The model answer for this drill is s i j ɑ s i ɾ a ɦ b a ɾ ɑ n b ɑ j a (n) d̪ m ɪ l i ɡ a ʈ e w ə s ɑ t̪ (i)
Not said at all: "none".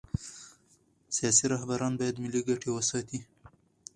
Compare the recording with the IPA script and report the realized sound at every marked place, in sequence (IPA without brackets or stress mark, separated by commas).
none, i